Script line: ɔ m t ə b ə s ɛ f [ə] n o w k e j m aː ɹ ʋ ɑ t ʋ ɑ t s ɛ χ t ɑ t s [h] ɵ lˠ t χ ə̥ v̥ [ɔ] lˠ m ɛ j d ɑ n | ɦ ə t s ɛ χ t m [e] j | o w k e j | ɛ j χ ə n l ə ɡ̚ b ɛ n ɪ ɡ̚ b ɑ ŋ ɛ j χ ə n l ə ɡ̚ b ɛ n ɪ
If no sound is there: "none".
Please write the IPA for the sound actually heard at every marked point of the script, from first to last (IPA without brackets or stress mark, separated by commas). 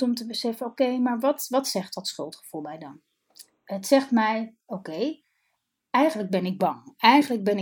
ə, χ, u, ɛ